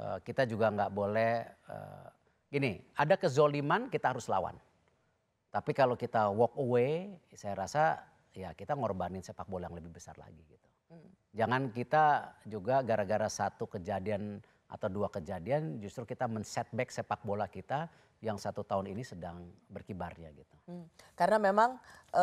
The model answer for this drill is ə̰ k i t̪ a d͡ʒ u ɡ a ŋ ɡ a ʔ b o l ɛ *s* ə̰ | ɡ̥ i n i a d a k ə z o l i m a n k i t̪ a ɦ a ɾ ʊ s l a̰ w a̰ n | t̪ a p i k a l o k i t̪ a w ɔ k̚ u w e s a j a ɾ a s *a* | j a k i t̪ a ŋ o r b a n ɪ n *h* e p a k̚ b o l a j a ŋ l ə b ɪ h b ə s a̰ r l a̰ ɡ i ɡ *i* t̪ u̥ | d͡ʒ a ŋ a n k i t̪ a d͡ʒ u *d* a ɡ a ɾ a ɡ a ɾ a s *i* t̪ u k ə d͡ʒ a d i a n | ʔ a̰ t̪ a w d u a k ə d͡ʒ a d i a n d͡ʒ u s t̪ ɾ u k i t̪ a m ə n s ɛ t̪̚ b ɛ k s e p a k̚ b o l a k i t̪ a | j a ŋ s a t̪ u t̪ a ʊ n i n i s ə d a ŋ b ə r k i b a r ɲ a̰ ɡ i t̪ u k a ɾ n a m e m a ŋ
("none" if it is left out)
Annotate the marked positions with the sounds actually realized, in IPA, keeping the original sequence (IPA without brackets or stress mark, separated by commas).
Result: h, a, s, i, ɡ, a